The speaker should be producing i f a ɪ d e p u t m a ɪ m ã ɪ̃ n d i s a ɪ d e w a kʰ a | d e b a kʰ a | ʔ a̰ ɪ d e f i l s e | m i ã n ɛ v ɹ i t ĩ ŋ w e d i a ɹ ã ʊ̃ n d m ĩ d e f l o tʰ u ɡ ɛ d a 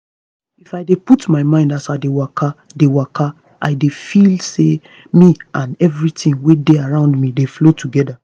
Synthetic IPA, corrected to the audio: i f a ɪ d e p u t m a ɪ m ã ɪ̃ n d a s a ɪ d e w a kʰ a | d e w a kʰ a | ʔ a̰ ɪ d e f i l s e | m i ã n ɛ v ɹ i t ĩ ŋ w e d e a ɹ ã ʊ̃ n d m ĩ d e f l o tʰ u ɡ ɛ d a